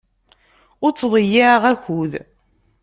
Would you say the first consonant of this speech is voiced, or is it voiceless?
voiced